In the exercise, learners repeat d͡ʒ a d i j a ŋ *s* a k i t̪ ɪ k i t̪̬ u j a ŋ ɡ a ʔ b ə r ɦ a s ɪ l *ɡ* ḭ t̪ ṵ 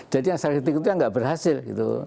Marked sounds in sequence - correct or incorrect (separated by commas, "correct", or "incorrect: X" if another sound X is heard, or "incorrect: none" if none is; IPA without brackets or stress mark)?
correct, correct